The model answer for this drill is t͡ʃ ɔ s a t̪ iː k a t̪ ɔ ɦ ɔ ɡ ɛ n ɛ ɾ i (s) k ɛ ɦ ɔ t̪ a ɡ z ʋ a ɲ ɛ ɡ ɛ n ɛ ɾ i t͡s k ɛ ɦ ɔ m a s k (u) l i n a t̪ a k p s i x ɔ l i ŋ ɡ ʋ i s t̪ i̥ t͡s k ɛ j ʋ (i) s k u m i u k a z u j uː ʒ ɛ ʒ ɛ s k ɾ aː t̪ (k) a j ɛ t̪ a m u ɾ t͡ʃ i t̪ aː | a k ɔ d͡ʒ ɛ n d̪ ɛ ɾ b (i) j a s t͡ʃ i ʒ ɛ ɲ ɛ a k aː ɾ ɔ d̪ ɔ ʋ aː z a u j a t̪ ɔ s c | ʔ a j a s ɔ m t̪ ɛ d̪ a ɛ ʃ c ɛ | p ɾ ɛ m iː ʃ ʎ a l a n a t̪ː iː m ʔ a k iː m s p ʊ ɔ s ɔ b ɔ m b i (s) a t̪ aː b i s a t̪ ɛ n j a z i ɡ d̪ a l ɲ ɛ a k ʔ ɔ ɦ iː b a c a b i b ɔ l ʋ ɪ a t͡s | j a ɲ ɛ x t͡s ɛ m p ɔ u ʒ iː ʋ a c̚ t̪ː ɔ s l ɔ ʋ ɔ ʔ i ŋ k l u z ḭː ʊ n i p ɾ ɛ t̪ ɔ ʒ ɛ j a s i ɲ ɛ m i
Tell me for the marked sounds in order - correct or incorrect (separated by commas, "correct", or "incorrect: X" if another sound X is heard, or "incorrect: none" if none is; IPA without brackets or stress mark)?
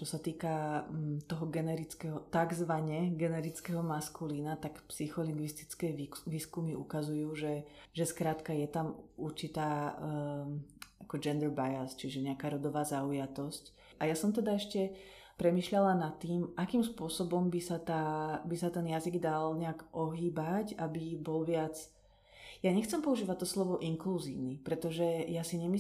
incorrect: t͡s, correct, incorrect: iː, correct, incorrect: a, correct